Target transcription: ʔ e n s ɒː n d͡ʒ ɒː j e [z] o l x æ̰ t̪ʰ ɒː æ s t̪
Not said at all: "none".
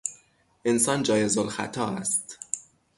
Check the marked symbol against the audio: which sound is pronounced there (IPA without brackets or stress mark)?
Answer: z